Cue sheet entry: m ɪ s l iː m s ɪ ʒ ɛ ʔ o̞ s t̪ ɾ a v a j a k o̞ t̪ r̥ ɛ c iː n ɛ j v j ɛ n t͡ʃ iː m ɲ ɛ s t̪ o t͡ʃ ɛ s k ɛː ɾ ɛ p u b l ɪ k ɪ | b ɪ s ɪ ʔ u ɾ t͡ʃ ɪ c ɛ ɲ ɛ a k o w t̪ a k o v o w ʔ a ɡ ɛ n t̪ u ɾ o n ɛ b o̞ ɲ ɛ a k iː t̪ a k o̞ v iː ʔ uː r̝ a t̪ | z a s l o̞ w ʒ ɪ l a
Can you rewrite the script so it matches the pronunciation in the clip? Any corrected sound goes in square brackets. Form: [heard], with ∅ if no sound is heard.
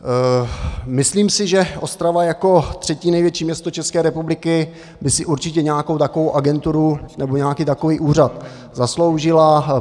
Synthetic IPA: m ɪ s l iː m s ɪ ʒ ɛ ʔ o̞ s t̪ ɾ a v a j a k o̞ t̪ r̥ ɛ c iː n ɛ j v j ɛ [∅] t͡ʃ iː m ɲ ɛ s t̪ o t͡ʃ ɛ s k ɛː ɾ ɛ p u b l ɪ k ɪ | b ɪ s ɪ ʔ u ɾ t͡ʃ ɪ c ɛ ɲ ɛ a k o w t̪ a k o v o w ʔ a ɡ ɛ n t̪ u ɾ [u] n ɛ b o̞ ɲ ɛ a k iː t̪ a k o̞ v iː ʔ uː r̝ a t̪ | z a s l o̞ w ʒ ɪ l a